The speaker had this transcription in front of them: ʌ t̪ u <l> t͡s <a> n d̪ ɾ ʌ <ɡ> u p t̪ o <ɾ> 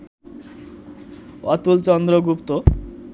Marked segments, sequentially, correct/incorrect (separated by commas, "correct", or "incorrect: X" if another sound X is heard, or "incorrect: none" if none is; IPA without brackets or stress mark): correct, incorrect: ʌ, correct, incorrect: none